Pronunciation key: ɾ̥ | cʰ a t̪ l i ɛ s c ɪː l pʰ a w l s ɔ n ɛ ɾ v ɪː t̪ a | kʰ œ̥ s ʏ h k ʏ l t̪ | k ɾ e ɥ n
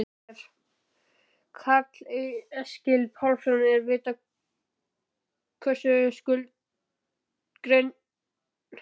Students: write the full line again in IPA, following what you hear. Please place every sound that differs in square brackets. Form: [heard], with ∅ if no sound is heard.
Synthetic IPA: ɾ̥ | [kʰ] a t̪ l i ɛ s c [ɪ] l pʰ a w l s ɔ n ɛ ɾ v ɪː t̪ a | kʰ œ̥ s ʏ [s] k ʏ l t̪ | k ɾ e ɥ n